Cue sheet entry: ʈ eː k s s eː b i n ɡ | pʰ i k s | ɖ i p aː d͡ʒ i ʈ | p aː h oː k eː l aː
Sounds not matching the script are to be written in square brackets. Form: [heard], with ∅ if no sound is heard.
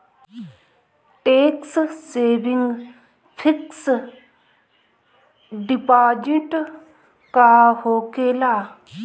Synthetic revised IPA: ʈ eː k s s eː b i [ŋ] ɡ | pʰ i k s | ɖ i p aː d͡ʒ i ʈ | [k] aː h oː k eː l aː